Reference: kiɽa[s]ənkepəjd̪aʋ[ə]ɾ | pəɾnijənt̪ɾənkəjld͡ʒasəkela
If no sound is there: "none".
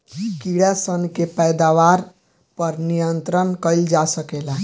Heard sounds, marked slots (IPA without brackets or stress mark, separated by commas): s, a